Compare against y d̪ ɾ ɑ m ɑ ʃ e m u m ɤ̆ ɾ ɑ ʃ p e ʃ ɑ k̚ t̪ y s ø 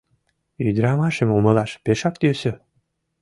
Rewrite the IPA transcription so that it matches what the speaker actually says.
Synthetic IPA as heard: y d̪ ɾ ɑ m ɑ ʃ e m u m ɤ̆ l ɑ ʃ p e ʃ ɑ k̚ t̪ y s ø